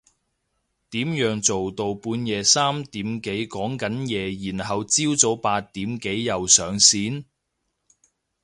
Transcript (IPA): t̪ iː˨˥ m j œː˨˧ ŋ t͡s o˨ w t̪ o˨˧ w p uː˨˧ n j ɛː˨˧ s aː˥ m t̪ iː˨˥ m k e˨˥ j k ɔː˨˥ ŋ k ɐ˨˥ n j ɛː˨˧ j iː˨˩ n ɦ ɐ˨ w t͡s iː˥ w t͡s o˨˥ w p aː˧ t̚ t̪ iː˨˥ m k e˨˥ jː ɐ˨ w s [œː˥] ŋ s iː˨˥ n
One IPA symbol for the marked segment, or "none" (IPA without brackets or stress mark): œː˨˧